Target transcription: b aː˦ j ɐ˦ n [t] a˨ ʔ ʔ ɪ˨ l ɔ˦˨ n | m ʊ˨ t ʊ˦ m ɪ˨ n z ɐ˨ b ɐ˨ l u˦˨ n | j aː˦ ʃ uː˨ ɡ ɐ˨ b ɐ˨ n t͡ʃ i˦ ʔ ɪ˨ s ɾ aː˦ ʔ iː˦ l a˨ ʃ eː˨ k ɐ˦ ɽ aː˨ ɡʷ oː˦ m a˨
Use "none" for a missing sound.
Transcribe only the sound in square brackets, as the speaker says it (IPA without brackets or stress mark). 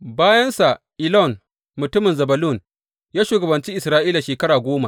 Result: s